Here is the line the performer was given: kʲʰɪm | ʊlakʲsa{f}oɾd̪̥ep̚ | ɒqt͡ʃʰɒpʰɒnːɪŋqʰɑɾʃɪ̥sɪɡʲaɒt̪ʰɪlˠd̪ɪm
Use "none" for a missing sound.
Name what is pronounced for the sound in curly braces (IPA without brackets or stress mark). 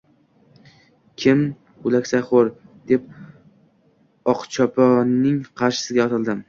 χ